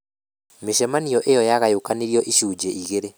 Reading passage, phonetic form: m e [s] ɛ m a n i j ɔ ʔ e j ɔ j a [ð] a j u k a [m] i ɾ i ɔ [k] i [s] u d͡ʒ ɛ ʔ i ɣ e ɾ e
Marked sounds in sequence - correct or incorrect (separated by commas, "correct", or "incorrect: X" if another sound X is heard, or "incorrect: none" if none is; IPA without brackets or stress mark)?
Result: incorrect: ʃ, incorrect: ɣ, incorrect: n, incorrect: ʔ, incorrect: ʃ